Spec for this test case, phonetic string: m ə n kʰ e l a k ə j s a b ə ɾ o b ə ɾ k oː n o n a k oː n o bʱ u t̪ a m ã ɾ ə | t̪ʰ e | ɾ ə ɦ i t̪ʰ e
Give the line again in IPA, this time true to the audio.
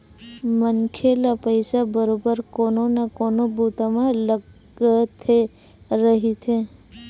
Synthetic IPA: m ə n kʰ e l a p ə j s a b ə ɾ o b ə ɾ k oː n o n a k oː n o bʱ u t̪ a m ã l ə | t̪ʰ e | ɾ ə ɦ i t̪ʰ e